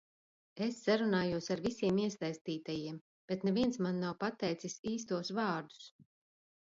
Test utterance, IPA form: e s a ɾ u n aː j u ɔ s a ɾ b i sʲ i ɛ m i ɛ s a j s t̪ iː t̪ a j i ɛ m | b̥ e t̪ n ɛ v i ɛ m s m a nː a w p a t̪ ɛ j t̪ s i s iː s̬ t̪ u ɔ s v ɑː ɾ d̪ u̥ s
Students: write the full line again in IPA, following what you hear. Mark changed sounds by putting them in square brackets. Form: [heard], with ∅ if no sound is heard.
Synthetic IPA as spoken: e [sː] a ɾ u n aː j u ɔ s a ɾ [v] i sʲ i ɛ m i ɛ s a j s t̪ iː t̪ a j i ɛ m | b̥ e t̪ n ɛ v i ɛ [n] s m a nː a w p a t̪ ɛ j t̪ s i s iː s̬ t̪ u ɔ s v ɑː ɾ d̪ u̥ s